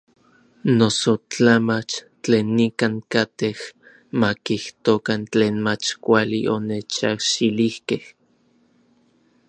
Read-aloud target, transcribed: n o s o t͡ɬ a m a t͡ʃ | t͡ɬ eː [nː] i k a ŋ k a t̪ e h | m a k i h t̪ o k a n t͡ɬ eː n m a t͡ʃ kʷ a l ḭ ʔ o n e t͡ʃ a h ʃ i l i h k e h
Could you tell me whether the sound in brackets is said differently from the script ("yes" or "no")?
no